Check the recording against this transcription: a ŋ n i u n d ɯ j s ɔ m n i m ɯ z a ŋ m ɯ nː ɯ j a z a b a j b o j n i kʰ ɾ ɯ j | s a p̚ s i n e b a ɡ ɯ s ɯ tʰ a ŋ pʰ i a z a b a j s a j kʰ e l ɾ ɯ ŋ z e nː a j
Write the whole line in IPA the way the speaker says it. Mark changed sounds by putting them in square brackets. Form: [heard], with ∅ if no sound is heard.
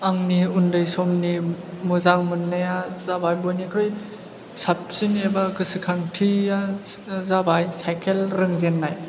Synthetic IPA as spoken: a ŋ n i u n d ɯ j s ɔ m n i m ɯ z a ŋ m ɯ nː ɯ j a z a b a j b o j n i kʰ ɾ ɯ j | s a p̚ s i n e b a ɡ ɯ s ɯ [kʰ] a ŋ [tʰ] i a z a b a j s a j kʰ e l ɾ ɯ ŋ z e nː a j